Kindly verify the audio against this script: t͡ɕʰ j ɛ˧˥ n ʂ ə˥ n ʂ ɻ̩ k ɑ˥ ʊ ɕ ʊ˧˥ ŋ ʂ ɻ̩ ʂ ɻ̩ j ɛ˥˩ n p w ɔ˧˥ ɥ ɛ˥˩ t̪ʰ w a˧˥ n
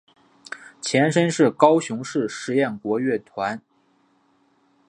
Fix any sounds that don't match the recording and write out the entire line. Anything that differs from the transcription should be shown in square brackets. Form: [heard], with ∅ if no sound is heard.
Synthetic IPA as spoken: t͡ɕʰ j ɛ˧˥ n ʂ ə˥ n ʂ ɻ̩ k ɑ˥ ʊ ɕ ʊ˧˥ ŋ ʂ ɻ̩ ʂ ɻ̩ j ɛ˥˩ n [k] w ɔ˧˥ ɥ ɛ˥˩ t̪ʰ w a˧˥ n